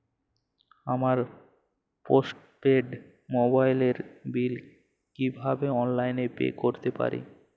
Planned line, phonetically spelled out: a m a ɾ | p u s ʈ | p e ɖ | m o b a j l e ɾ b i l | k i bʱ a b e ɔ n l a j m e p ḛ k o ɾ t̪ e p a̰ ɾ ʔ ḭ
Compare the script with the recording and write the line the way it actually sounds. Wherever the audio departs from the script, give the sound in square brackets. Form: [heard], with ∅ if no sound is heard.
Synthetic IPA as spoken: a m a ɾ | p [o] s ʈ | p e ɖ | m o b a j l e ɾ b i l | k i bʱ a b e ɔ n l a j [n] e p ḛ k o ɾ t̪ e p a̰ ɾ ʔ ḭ